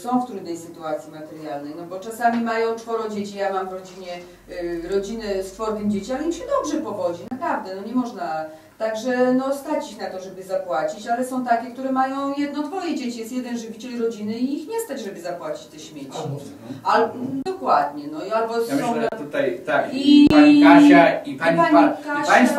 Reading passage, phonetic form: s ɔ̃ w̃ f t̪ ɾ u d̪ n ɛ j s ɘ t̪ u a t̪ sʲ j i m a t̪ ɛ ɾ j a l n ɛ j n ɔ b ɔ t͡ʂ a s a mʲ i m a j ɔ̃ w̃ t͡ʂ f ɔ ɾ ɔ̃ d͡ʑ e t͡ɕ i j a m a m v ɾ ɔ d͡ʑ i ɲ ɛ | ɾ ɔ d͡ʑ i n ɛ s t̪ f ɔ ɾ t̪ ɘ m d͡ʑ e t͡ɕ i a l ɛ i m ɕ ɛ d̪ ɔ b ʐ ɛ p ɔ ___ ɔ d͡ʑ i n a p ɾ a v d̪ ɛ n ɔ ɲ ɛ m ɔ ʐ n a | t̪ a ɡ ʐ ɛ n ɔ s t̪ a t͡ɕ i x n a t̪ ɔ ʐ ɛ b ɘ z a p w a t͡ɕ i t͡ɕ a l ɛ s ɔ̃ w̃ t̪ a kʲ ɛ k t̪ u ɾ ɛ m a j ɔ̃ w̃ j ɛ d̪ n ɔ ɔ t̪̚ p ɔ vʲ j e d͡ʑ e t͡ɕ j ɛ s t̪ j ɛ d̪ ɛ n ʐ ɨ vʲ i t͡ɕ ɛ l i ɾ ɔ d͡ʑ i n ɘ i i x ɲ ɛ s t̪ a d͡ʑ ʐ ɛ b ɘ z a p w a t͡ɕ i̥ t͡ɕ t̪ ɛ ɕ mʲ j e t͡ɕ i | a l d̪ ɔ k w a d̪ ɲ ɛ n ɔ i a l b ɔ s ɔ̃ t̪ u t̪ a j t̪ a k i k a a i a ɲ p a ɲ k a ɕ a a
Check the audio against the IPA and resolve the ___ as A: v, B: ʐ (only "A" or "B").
A